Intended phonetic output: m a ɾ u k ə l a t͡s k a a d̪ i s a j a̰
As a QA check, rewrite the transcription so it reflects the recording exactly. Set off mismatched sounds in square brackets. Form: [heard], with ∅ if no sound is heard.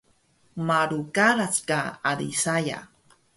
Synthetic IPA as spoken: m a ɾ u k [a] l a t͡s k a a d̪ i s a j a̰